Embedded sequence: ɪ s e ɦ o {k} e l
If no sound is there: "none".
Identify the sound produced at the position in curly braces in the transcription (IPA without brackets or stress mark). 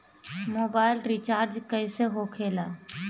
kʰ